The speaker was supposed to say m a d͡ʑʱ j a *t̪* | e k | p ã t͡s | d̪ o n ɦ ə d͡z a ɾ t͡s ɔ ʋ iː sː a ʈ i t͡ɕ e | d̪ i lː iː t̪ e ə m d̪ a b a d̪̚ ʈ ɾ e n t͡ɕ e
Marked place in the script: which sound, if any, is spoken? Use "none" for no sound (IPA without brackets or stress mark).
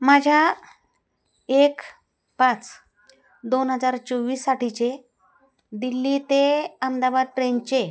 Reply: none